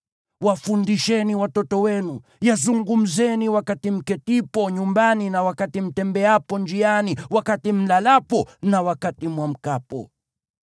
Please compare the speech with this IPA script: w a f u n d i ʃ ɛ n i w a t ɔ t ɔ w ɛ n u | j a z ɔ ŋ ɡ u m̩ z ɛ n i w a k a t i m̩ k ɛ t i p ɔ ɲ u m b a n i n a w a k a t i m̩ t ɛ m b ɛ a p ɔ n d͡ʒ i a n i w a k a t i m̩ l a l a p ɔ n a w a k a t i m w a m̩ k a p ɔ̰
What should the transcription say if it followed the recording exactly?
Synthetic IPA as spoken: w a f u n d i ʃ ɛ n i w a t ɔ t ɔ w ɛ n u | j a z u ŋ ɡ u m̩ z ɛ n i w a k a t i m̩ k ɛ t i p ɔ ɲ u m b a n i n a w a k a t i m̩ t ɛ m b ɛ a p ɔ n d͡ʒ i a n i w a k a t i m̩ l a l a p ɔ n a w a k a t i m w a m̩ k a p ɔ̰